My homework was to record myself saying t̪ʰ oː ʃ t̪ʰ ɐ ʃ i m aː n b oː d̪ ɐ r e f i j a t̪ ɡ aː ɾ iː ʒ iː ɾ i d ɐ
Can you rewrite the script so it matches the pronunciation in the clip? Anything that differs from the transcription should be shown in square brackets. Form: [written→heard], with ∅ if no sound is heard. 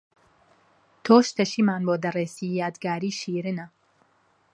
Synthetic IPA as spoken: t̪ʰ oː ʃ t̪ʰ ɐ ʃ i m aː n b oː d̪ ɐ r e [f→s] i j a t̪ ɡ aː ɾ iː [ʒ→ʃ] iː ɾ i [d→n] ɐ